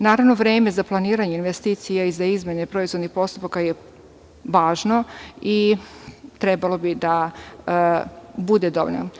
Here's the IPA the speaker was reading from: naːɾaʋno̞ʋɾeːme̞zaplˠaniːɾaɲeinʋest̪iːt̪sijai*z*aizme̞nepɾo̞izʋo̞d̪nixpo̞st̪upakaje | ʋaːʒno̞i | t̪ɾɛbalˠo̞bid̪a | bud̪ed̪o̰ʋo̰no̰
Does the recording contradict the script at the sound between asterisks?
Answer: no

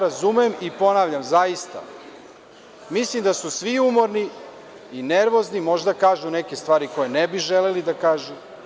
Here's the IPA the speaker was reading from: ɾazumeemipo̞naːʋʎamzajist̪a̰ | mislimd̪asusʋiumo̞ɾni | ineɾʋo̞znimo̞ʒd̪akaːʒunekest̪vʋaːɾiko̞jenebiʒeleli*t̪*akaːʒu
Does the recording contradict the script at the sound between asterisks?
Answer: yes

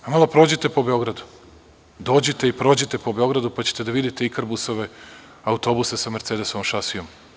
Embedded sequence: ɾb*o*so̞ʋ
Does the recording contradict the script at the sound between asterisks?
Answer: yes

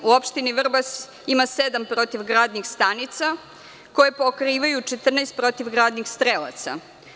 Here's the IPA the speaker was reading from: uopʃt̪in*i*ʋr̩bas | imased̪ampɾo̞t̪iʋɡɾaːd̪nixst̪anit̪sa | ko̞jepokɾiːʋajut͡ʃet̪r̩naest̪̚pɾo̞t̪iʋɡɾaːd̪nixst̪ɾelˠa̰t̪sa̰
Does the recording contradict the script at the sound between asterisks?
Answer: no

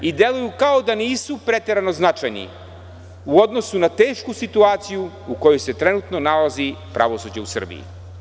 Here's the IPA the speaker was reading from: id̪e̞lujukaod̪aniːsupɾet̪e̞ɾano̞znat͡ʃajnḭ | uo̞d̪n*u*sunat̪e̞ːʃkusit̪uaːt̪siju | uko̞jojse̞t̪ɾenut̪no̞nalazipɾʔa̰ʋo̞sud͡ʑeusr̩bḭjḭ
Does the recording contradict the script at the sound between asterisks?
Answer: yes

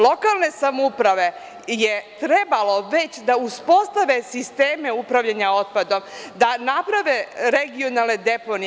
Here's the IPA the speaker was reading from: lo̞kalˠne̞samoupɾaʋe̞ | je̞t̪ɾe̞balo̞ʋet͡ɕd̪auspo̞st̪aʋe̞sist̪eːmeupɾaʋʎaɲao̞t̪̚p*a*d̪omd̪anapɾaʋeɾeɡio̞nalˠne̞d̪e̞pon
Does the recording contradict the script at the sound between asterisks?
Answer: no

